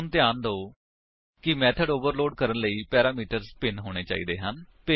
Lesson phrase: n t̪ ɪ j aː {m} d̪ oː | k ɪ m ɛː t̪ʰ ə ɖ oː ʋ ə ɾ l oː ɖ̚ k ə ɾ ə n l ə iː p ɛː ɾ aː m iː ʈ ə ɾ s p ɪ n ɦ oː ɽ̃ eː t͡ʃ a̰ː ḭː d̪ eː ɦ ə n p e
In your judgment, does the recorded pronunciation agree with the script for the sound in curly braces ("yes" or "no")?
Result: no